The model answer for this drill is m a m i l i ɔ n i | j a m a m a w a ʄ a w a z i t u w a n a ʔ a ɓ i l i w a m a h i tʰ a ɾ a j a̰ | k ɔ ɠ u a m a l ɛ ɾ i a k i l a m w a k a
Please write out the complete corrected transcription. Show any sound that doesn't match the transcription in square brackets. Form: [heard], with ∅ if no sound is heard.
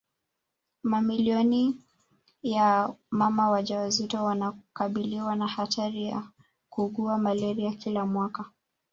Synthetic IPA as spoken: m a m i l i ɔ n i | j a m a m a w a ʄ a w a z i t [ɔ] w a n a [k] a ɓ i l i w a [n] a h [a] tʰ a ɾ [i] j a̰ | k [u] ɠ u a m a l ɛ ɾ i a k i l a m w a k a